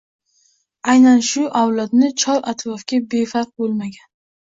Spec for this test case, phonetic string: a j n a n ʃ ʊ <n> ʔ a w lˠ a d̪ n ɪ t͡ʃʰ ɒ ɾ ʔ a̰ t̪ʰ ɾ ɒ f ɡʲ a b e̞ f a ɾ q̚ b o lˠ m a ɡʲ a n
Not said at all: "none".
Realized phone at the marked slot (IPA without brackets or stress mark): none